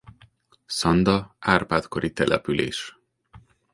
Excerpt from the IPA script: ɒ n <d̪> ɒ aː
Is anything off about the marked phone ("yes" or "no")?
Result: no